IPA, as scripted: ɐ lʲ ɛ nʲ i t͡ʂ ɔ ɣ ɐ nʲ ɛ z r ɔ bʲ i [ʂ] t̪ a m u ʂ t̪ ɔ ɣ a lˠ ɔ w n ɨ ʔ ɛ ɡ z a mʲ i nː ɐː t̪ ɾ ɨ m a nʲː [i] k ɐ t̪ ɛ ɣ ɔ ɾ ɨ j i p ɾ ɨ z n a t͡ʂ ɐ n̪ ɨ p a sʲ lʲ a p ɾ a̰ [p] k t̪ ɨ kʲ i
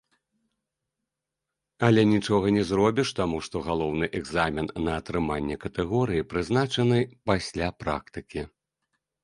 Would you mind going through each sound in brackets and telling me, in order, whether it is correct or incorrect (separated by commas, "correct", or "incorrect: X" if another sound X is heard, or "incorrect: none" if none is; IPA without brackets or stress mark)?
correct, incorrect: ɛ, incorrect: none